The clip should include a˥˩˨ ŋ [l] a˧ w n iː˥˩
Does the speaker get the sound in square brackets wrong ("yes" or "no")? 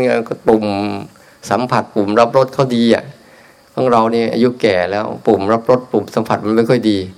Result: yes